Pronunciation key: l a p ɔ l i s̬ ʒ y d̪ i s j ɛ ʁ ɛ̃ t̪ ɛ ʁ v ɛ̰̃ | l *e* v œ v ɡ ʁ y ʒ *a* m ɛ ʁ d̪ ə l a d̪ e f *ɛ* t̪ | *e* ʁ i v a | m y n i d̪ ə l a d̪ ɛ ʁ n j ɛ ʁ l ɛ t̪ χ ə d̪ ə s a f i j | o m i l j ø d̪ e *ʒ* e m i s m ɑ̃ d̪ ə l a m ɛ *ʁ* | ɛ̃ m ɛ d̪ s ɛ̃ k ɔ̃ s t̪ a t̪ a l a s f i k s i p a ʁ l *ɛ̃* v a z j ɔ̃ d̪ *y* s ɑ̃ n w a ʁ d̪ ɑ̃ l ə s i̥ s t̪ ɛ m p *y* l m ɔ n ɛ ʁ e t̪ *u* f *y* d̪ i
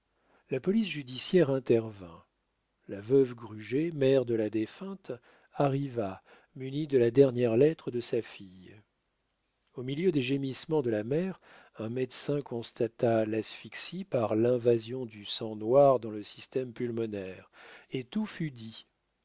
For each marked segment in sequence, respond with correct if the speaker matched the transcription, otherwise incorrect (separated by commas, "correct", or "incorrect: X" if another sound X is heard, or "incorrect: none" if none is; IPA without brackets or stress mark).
incorrect: a, incorrect: e, incorrect: ɛ̃, incorrect: a, correct, correct, correct, correct, correct, correct, correct